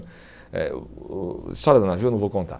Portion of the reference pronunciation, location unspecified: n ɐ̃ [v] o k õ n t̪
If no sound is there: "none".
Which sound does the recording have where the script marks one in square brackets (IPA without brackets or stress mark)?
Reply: v